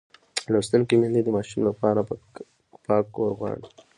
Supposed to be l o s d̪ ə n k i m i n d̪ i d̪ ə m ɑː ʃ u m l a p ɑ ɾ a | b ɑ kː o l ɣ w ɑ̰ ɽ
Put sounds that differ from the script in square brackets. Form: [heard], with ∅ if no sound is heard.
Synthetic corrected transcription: l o s [t̪] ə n k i m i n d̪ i d̪ ə m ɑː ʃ u m l a p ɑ ɾ a | [p] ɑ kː o [ɾ] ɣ w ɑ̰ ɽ